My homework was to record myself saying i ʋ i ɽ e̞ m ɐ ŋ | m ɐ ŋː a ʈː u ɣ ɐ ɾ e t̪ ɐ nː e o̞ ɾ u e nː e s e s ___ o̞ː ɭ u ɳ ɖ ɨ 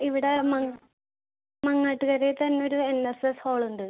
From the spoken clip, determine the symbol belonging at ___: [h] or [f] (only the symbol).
h